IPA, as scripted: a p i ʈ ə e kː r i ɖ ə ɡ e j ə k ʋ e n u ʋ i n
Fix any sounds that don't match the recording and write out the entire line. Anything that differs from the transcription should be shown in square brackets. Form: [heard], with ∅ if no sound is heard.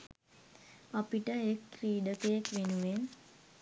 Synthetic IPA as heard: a p i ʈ ə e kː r [iː] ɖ ə [k] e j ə k ʋ e n u ʋ [e] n